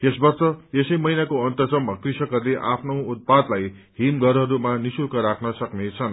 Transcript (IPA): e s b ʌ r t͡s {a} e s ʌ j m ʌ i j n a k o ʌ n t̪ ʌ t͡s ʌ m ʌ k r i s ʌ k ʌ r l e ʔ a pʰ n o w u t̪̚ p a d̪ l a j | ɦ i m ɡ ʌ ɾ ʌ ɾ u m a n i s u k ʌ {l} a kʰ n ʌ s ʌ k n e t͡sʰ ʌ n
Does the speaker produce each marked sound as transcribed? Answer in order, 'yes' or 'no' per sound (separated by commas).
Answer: no, no